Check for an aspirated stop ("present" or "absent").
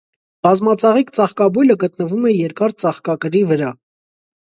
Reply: absent